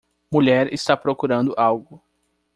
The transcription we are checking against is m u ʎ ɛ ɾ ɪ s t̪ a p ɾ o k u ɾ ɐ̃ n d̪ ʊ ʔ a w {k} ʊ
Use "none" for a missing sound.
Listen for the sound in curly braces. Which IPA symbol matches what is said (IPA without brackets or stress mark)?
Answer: ɡ